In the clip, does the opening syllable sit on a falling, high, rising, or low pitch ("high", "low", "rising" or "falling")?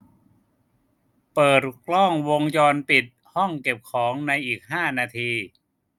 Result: low